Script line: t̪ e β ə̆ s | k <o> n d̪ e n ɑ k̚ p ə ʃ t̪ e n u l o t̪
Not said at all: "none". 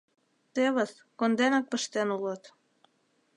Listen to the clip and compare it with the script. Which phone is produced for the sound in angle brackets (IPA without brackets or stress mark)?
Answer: o